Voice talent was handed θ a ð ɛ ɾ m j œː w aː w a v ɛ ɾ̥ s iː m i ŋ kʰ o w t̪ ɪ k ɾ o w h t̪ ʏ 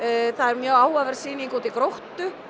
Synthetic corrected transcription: θ a ð ɛ ɾ m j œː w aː w a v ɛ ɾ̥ s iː n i ŋ k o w t̪ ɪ k ɾ o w h t̪ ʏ